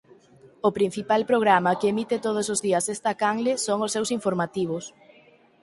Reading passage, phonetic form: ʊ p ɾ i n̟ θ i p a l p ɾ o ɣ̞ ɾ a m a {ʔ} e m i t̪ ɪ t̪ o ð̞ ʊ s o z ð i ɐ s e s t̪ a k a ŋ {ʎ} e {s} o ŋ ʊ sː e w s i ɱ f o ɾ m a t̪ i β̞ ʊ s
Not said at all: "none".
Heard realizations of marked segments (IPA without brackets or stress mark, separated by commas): k, l, s